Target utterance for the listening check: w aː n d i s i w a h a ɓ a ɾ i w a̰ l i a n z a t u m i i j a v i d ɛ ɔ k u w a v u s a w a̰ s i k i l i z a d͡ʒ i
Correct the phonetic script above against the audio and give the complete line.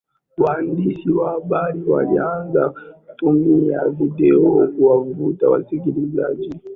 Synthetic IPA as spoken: w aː n d i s i w a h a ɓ a ɾ i w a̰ l i a n z a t u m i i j a v i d ɛ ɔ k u w a v u t a w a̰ s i k i l i z a d͡ʒ i